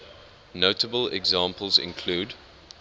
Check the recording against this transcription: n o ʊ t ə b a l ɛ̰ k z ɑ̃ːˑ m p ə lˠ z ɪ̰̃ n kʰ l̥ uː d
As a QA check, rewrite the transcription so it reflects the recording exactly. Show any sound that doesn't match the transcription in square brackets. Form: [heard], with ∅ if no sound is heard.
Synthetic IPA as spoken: n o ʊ t ə b [ə] l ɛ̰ [ɡ] z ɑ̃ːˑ m p ə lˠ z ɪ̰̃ n kʰ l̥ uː d